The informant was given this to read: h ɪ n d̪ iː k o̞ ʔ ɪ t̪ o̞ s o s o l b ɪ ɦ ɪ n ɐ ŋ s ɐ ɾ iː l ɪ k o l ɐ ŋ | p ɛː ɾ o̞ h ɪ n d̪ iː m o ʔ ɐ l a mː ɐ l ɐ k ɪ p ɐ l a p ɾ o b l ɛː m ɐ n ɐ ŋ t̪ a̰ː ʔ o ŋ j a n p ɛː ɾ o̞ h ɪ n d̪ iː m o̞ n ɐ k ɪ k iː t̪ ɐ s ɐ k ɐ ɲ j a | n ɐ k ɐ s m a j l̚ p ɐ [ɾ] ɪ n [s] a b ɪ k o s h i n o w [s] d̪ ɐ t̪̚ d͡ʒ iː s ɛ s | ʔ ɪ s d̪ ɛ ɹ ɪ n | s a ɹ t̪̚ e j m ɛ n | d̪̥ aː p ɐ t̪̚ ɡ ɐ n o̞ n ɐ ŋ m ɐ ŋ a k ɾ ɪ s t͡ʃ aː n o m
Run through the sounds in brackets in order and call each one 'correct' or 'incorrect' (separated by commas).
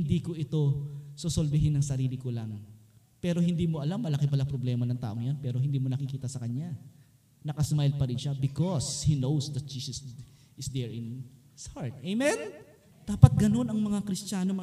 correct, incorrect, correct